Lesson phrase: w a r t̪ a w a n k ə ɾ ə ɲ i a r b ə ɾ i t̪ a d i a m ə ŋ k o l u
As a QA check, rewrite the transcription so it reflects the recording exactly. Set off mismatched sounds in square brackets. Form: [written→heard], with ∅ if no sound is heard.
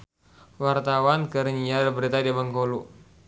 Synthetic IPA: w a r t̪ a w a n k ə ɾ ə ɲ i a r b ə ɾ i t̪ a d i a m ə ŋ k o l u